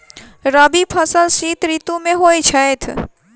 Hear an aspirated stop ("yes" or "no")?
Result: yes